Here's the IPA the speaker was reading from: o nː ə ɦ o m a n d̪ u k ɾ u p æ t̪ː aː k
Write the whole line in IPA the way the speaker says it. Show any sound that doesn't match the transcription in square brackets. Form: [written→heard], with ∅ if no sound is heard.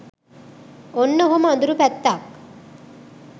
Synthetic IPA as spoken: o nː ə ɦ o m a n d̪ u [k→∅] ɾ u p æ t̪ː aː k